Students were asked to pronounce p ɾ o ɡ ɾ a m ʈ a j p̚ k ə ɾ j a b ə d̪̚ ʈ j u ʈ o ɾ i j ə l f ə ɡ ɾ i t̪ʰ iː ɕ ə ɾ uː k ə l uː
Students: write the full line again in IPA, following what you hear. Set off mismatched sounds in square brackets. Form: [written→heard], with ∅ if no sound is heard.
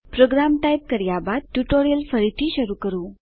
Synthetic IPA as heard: p ɾ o ɡ ɾ a m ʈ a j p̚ k ə ɾ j a b [ə→a] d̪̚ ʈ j u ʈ o ɾ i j ə l f ə [ɡ→∅] ɾ i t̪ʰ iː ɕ ə ɾ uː k ə [l→ɾ] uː